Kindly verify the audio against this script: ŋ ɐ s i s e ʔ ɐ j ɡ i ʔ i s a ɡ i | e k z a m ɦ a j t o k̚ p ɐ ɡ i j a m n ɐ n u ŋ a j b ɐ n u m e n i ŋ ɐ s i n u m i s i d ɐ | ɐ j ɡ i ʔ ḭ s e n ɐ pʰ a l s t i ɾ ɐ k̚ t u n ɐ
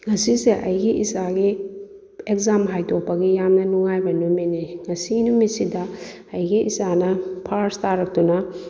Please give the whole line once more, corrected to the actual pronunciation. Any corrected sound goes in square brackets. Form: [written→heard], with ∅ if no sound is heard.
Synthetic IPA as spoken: ŋ ɐ s i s e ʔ ɐ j ɡ i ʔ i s a ɡ i | e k z a m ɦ a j t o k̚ p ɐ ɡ i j a m n ɐ n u ŋ a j b ɐ n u m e n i ŋ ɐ s i n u m i s i d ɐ | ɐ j ɡ i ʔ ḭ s [e→a] n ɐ pʰ a [l→ɾ] s t [i→a] ɾ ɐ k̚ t u n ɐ